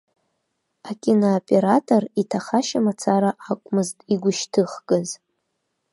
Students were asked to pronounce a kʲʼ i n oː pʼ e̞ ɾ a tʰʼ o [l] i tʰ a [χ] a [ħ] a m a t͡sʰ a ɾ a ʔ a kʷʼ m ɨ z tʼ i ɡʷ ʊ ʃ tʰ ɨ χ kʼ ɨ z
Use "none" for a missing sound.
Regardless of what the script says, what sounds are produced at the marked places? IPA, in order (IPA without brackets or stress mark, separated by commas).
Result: r, χ, ʃ